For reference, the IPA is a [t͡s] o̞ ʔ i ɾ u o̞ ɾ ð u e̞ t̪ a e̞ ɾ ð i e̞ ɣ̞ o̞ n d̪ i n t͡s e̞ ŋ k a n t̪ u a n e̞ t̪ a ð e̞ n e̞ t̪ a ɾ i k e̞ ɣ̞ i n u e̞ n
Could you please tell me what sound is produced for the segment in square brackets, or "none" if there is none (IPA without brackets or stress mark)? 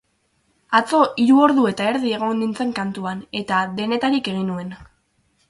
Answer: t͡s